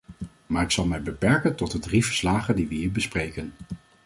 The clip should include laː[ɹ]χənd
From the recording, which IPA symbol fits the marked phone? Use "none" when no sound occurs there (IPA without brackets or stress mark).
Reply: none